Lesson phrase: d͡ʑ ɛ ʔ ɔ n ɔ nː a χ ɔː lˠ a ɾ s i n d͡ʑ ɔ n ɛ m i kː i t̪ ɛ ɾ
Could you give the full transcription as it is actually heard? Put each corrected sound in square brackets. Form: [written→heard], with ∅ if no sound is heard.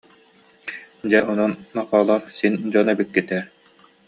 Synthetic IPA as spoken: d͡ʑ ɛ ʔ ɔ n ɔ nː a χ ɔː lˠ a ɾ s i n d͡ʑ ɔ n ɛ [m→b] i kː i t̪ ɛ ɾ